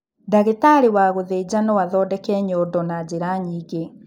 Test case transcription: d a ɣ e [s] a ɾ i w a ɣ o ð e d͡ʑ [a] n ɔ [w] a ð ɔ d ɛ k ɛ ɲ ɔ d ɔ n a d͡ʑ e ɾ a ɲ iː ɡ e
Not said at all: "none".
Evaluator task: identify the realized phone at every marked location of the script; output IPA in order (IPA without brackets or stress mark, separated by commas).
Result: t, a, w